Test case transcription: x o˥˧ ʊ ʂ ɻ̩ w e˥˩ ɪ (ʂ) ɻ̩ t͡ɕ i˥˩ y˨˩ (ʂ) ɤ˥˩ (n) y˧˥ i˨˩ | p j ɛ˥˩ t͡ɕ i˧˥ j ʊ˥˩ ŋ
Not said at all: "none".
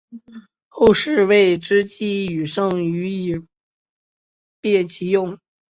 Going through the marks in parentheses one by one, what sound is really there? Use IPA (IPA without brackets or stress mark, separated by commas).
ʈ͡ʂ, ʂ, ŋ